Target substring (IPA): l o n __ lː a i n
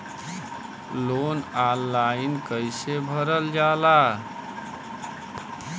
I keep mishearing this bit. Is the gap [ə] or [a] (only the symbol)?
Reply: a